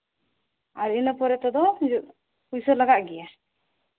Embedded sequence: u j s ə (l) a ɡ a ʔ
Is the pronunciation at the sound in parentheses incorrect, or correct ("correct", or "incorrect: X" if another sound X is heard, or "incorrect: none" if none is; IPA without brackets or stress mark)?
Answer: correct